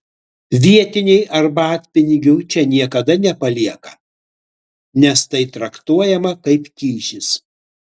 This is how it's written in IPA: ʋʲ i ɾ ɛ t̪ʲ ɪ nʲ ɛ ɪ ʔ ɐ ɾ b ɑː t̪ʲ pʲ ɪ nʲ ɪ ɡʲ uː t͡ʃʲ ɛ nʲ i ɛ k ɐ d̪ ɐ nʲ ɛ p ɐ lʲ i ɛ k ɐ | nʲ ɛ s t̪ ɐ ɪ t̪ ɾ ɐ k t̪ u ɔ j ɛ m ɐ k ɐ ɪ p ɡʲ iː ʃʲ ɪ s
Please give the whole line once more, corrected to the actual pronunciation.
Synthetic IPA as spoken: ʋʲ i ɛ t̪ʲ ɪ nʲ ɛ ɪ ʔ ɐ ɾ b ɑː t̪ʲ pʲ ɪ nʲ ɪ ɡʲ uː t͡ʃʲ ɛ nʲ i ɛ k ɐ d̪ ɐ nʲ ɛ p ɐ lʲ i ɛ k ɐ | nʲ ɛ s t̪ ɐ ɪ t̪ ɾ ɐ k t̪ u ɔ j ɛ m ɐ k ɐ ɪ p kʲ iː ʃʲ ɪ s

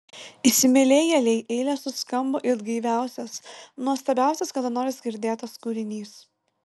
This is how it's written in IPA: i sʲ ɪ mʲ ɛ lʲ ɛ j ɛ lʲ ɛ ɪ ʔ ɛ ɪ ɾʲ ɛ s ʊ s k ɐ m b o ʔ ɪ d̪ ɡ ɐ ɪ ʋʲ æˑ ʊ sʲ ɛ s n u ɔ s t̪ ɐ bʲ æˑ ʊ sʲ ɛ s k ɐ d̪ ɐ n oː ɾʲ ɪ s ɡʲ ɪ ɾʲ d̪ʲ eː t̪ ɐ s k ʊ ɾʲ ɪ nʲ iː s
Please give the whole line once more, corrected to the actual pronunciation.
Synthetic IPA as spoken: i sʲ ɪ mʲ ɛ lʲ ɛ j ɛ lʲ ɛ ɪ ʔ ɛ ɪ lʲ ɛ s ʊ s k ɐ m b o ʔ ɪ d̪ ɡ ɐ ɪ ʋʲ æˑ ʊ sʲ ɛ s n u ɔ s t̪ ɐ bʲ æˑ ʊ sʲ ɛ s k ɐ d̪ ɐ n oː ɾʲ ɪ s ɡʲ ɪ ɾʲ d̪ʲ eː t̪ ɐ s k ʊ ɾʲ ɪ nʲ iː s

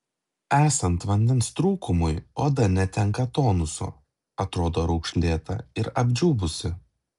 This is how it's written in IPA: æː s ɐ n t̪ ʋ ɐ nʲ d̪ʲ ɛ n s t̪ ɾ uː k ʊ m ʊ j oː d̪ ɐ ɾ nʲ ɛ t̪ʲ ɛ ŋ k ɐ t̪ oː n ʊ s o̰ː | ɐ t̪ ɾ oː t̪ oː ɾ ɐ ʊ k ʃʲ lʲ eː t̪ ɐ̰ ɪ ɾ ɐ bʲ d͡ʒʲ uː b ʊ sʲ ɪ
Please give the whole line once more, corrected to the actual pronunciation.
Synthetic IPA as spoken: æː s ɐ n t̪ ʋ ɐ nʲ d̪ʲ ɛ n s t̪ ɾ uː k ʊ m ʊ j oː d̪ ɐ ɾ nʲ ɛ t̪ʲ ɛ ŋ k ɐ t̪ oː n ʊ s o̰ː | ɐ t̪ ɾ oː d̪ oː ɾ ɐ ʊ k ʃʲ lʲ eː t̪ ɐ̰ ɪ ɾ ɐ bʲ d͡ʒʲ uː b ʊ sʲ ɪ

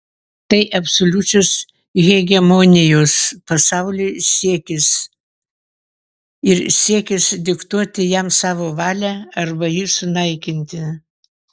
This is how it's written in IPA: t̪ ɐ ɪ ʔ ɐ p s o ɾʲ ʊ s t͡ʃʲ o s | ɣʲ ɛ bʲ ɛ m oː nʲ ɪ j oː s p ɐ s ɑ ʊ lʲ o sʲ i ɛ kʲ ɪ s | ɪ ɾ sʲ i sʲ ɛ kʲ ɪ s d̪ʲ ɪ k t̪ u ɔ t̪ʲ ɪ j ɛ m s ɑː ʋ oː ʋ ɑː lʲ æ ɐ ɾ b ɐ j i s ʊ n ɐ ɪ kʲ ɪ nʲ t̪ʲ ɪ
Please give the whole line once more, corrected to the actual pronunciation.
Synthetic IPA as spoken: t̪ ɐ ɪ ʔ ɐ p s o lʲ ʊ t͡ʃʲ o s | ɣʲ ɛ ɡʲ ɛ m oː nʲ ɪ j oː s p ɐ s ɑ ʊ lʲ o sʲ i ɛ kʲ ɪ s | ɪ ɾ sʲ i ɛ kʲ ɪ s d̪ʲ ɪ k t̪ u ɔ t̪ʲ ɪ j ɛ m s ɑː ʋ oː ʋ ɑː lʲ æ ɐ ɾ b ɐ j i s ʊ n ɐ ɪ kʲ ɪ nʲ t̪ʲ ɪ

